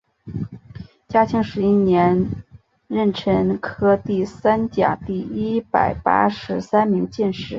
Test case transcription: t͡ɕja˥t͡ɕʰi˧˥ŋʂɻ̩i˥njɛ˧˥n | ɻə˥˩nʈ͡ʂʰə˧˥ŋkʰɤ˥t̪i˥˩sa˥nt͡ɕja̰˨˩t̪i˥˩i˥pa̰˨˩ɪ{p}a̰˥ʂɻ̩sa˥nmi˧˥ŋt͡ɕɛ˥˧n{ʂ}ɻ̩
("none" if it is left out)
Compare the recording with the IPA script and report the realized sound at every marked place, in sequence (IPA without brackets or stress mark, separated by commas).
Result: p, ʂ